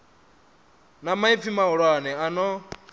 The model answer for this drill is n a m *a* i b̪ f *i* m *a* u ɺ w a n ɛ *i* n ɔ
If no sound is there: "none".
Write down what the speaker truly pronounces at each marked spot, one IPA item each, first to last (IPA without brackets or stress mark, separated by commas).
a, i, a, a